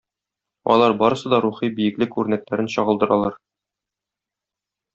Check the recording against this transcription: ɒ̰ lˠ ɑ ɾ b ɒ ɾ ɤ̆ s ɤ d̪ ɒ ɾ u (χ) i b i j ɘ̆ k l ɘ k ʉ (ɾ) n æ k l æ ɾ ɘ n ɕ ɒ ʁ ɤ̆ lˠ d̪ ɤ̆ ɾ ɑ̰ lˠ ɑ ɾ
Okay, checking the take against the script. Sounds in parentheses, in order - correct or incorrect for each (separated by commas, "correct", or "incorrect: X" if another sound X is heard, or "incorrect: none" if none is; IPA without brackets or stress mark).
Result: correct, correct